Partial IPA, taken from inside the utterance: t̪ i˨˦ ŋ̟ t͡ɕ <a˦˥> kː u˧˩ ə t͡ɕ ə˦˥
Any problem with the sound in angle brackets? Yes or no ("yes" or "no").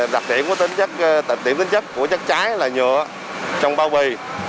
yes